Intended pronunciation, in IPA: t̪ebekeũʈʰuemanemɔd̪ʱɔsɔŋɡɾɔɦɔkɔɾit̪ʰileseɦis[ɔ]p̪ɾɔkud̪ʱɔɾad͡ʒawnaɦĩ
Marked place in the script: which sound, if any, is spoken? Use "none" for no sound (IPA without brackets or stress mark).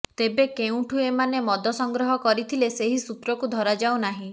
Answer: u